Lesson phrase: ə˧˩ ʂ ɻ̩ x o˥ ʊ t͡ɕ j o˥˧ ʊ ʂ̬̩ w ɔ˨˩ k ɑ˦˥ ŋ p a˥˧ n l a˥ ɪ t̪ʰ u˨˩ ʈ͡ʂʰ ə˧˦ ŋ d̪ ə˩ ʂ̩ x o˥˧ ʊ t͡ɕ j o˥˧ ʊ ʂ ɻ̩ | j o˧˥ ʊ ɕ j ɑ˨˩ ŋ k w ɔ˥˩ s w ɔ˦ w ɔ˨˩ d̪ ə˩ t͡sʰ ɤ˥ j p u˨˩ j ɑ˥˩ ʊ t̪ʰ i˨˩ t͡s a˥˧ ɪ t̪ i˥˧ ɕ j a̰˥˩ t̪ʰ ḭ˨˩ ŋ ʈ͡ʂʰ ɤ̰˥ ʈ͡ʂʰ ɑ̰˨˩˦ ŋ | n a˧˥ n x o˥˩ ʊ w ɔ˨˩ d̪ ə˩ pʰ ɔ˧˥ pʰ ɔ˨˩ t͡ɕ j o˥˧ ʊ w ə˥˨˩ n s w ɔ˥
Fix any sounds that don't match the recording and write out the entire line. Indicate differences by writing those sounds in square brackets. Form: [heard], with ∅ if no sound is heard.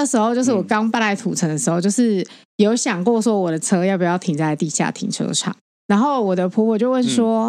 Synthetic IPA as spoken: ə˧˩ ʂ ɻ̩ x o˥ ʊ t͡ɕ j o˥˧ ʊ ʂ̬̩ w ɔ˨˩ k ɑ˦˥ ŋ p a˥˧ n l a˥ ɪ t̪ʰ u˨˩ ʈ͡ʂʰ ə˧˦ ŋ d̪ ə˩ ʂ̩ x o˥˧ ʊ t͡ɕ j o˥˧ ʊ ʂ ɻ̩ | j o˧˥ ʊ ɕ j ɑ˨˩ ŋ k w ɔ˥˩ s w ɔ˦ w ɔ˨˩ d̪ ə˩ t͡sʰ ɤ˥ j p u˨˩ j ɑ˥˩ ʊ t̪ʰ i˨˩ t͡s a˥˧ ɪ t̪ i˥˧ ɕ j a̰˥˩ t̪ʰ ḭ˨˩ ŋ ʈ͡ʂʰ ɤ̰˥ ʈ͡ʂʰ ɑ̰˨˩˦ ŋ | n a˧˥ n x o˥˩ ʊ w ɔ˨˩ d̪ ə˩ pʰ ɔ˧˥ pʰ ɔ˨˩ t͡ɕ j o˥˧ ʊ w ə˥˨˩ n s w ɔ˥